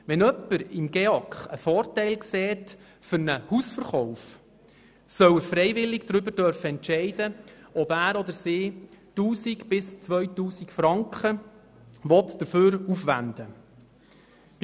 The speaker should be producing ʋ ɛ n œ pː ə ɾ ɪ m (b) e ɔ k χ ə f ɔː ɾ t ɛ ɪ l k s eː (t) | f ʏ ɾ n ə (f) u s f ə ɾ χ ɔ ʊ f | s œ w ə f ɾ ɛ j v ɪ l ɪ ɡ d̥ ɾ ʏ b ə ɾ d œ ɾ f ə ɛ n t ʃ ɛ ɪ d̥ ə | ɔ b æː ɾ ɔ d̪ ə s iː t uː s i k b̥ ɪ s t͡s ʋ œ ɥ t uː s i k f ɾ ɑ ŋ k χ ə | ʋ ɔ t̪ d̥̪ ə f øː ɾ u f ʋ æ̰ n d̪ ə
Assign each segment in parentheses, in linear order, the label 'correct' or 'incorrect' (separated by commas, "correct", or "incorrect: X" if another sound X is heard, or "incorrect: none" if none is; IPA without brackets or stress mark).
incorrect: ɡ, correct, incorrect: h